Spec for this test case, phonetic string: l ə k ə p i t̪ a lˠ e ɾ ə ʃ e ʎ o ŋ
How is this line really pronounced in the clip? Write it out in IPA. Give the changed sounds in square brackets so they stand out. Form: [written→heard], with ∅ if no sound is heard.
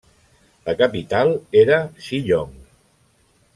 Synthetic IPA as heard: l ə k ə p i t̪ a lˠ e ɾ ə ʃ [e→i] ʎ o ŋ